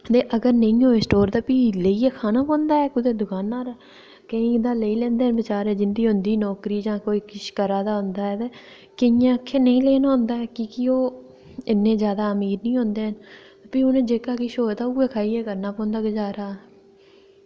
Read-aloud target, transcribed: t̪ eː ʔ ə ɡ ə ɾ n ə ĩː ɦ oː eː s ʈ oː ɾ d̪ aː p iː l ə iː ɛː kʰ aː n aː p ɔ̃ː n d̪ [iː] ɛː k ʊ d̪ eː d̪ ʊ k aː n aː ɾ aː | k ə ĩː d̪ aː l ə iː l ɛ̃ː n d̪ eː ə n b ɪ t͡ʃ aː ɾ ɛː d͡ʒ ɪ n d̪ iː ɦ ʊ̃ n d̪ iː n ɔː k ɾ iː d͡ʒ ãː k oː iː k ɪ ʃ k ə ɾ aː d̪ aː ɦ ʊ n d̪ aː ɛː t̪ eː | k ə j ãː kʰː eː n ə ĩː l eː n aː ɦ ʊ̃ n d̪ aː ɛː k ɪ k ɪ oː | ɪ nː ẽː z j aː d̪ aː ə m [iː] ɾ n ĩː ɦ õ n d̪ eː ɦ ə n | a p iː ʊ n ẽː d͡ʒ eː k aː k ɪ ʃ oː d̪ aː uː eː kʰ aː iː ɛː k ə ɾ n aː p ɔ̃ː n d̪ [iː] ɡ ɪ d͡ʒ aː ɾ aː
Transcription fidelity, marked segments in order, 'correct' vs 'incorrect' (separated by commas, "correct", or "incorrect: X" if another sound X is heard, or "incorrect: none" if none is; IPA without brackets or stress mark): incorrect: aː, correct, incorrect: aː